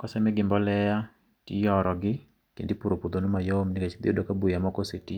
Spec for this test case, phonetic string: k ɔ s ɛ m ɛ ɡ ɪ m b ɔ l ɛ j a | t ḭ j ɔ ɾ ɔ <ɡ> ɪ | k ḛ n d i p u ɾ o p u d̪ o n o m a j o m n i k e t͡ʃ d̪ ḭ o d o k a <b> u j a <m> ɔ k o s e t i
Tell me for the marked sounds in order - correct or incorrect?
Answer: correct, correct, correct

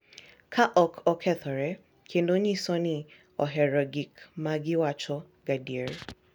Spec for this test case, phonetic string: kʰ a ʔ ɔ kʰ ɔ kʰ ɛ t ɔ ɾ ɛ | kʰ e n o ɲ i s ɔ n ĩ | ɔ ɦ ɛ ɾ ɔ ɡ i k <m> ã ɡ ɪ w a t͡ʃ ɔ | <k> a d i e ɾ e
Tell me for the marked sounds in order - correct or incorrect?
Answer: correct, incorrect

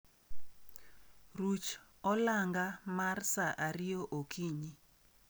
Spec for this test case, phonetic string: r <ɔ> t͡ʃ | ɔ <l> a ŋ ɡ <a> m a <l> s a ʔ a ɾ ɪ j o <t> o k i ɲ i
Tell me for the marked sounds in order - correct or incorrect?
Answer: incorrect, correct, correct, incorrect, incorrect

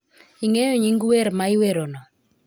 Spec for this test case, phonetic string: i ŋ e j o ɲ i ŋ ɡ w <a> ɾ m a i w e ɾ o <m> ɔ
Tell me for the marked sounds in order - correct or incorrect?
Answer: incorrect, incorrect

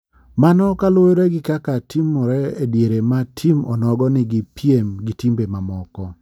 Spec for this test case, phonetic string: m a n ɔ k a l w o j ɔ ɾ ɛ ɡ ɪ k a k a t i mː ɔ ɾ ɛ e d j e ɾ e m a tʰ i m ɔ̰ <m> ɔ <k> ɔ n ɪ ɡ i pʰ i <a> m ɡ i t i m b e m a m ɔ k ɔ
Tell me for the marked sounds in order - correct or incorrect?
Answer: incorrect, incorrect, incorrect

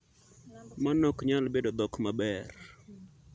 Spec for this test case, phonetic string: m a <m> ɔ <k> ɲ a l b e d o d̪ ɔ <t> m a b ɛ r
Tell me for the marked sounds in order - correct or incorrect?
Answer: incorrect, correct, incorrect

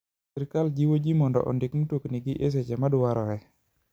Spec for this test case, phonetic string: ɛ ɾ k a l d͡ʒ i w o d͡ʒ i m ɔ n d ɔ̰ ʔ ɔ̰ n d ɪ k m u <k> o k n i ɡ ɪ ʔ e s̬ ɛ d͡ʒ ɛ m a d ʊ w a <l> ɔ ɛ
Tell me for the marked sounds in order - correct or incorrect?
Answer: incorrect, incorrect

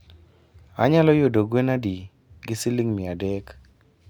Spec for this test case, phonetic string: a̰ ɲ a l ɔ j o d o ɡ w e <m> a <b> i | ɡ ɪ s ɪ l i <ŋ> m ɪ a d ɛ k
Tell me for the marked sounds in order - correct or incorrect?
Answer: incorrect, incorrect, correct

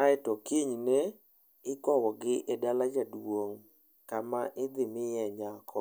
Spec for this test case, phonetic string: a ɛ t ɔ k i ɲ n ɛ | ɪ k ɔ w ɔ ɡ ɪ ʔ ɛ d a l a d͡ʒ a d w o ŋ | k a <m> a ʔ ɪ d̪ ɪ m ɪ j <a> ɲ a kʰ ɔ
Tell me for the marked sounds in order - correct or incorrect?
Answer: correct, incorrect

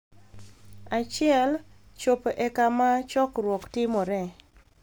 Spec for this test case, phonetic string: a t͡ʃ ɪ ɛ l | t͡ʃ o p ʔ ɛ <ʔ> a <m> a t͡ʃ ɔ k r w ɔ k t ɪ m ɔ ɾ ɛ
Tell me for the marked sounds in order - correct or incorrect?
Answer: incorrect, correct

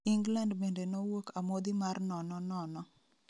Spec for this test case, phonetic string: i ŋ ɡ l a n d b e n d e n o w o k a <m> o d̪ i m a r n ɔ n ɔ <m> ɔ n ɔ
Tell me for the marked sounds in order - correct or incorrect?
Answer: correct, incorrect

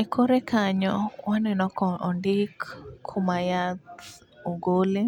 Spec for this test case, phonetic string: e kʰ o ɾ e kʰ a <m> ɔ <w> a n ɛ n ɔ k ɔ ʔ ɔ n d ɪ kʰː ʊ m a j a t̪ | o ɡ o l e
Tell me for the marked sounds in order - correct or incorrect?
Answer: incorrect, correct

